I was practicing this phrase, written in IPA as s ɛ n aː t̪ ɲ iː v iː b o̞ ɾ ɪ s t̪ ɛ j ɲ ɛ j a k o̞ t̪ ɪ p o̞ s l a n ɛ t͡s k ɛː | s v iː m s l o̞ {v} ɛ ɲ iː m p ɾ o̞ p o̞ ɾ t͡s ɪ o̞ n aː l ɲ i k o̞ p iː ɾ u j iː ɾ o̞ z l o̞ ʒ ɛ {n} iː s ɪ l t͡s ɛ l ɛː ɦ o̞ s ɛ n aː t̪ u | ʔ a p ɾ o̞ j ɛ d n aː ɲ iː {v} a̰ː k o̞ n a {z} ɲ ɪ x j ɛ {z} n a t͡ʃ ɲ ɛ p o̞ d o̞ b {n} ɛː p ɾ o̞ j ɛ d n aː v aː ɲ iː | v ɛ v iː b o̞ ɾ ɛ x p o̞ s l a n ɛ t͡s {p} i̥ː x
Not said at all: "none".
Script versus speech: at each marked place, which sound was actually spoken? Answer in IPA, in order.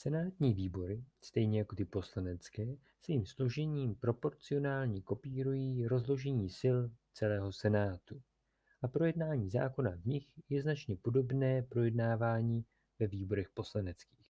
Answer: ʒ, ɲ, z, v, z, n, k

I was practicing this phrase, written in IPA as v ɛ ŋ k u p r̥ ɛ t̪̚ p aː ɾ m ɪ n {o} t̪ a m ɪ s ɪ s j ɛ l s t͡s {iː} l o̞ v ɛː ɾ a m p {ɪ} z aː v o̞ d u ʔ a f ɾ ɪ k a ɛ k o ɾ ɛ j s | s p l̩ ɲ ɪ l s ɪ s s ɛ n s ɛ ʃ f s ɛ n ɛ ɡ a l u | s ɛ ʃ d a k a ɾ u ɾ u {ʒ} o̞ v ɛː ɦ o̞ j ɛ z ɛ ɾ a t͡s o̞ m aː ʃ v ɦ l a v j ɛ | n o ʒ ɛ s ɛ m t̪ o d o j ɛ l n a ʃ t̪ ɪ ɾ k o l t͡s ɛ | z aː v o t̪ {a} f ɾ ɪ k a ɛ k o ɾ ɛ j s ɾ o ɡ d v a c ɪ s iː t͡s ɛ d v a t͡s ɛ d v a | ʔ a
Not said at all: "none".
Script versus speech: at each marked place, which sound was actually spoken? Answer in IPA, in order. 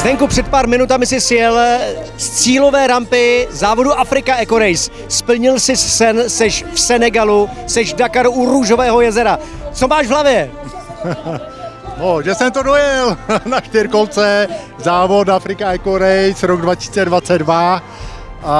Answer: u, iː, ɪ, ʒ, a

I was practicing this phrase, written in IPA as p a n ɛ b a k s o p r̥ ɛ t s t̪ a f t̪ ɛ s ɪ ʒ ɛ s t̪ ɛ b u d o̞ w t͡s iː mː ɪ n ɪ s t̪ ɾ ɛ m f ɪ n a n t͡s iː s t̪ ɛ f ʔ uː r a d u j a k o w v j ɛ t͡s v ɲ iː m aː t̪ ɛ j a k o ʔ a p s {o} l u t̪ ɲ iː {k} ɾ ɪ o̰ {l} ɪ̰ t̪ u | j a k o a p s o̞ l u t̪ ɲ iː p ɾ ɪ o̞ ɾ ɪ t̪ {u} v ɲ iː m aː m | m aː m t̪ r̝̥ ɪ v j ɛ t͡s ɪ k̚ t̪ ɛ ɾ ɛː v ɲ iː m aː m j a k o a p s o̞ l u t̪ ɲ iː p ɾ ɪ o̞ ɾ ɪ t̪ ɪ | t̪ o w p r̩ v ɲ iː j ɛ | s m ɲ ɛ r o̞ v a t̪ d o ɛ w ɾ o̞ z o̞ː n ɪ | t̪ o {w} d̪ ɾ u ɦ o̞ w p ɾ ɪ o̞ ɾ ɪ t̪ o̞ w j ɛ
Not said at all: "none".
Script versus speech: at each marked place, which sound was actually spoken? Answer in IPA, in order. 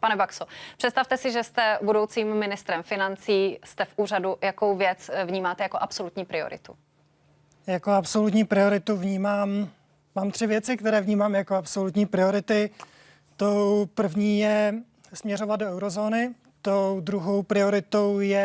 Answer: o, p, ɾ, u, w

